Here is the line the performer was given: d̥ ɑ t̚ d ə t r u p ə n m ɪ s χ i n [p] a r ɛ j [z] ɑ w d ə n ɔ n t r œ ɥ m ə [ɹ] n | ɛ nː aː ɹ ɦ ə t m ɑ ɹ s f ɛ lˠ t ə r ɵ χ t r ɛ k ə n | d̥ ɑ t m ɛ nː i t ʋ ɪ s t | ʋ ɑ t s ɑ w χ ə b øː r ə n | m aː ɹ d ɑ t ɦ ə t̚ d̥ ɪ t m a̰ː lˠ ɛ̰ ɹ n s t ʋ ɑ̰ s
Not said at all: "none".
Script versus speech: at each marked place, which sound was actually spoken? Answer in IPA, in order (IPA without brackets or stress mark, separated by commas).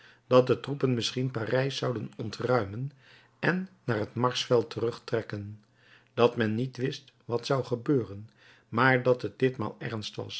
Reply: p, s, none